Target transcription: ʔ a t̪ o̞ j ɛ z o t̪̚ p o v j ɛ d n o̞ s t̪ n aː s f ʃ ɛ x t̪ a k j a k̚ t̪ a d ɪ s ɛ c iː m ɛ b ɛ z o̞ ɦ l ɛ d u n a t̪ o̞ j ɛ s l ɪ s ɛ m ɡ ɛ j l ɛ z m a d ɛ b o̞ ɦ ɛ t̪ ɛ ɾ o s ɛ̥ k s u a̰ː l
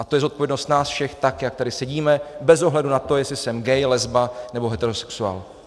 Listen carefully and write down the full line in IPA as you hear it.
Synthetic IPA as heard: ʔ a t̪ o̞ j ɛ z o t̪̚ p o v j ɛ d n o̞ s t̪ n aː s f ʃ ɛ x t̪ a k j a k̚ t̪ a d ɪ s ɛ ɟ iː m ɛ b ɛ z o̞ ɦ l ɛ d u n a t̪ o̞ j ɛ s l ɪ s ɛ m ɡ ɛ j l ɛ z b a n ɛ b o̞ ɦ ɛ t̪ ɛ ɾ o s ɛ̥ k s u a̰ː l

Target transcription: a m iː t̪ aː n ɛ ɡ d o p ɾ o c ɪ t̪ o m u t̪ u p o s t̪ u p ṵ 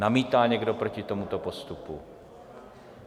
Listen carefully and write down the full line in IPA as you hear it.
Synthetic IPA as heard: a m iː t̪ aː ɲ ɛ ɡ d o p ɾ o c ɪ t̪ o m u t̪ o p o s t̪ u p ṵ

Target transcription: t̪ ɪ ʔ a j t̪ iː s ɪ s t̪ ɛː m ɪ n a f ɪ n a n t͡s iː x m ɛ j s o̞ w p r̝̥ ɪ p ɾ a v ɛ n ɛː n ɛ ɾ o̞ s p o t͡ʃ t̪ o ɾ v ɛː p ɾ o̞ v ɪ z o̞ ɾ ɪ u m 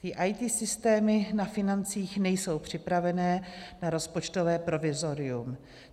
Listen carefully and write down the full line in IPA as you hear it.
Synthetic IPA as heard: t̪ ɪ ʔ a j t̪ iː s ɪ s t̪ ɛː m ɪ n a f ɪ n a n t͡s iː x n ɛ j s o̞ w p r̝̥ ɪ p ɾ a v ɛ n ɛː n a ɾ o̞ s p o t͡ʃ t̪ o v ɛː p ɾ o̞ v ɪ z o̞ ɾ ɪ u m

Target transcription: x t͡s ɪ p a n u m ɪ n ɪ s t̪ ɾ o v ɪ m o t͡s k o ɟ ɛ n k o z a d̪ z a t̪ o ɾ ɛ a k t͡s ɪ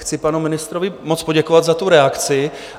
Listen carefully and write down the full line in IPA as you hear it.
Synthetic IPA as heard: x t͡s ɪ p a n u m ɪ n ɪ s t̪ ɾ o v ɪ m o t͡s p o ɟ ɛ k o v a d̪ z a t̪ u ɾ ɛ a k t͡s ɪ

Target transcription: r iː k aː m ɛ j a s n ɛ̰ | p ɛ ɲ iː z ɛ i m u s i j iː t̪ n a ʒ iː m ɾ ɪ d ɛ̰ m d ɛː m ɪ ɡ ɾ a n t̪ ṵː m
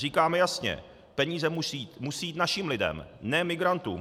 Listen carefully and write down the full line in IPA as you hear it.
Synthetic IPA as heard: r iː k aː m ɛ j a s ɲ ɛ̰ | p ɛ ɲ iː z ɛ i m u s i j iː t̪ n a ʃ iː m l ɪ d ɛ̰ m n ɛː m ɪ ɡ ɾ a n t̪ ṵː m

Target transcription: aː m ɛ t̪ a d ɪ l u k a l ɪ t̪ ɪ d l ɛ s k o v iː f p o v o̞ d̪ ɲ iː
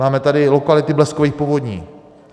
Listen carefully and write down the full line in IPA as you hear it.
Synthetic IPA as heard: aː m ɛ t̪ a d ɪ l o k a l ɪ t̪ ɪ b l ɛ s k o v iː x p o v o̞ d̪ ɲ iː

